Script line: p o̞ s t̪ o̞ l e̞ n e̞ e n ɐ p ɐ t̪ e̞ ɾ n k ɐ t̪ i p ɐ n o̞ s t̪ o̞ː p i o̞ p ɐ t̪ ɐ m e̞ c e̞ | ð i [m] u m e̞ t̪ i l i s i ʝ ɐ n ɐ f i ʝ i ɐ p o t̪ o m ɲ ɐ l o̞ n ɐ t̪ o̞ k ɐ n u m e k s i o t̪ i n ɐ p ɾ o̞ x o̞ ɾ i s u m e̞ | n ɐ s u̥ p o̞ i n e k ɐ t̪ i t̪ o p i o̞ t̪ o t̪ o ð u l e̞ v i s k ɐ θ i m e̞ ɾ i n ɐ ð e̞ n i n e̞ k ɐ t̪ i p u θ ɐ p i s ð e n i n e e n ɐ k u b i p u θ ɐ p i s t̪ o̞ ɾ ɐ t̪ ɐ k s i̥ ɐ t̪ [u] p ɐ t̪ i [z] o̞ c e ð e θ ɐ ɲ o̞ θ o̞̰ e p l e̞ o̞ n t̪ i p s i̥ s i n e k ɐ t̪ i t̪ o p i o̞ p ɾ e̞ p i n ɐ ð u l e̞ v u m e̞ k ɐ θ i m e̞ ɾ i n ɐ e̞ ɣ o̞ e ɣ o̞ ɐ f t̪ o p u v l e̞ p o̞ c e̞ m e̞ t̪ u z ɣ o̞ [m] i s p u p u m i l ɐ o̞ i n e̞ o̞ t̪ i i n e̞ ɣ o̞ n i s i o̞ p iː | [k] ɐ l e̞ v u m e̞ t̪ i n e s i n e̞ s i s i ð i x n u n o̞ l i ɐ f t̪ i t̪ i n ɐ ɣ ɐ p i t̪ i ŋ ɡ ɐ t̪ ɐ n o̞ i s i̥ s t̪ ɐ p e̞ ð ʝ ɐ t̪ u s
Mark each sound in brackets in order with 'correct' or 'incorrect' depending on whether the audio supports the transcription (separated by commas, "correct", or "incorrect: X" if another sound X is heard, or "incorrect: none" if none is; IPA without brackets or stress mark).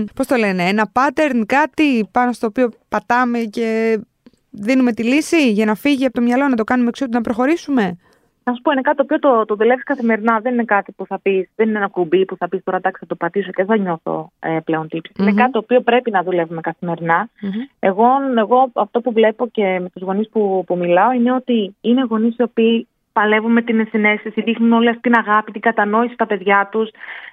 incorrect: n, incorrect: o, incorrect: s, incorrect: n, incorrect: p